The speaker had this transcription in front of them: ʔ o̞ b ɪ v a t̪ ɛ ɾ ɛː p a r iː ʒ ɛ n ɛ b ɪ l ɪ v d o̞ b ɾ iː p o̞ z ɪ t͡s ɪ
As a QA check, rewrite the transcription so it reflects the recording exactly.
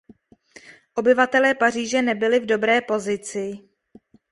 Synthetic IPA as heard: ʔ o̞ b ɪ v a t̪ ɛ l ɛː p a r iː ʒ ɛ n ɛ b ɪ l ɪ v d o̞ b ɾ ɛː p o̞ z ɪ t͡s ɪ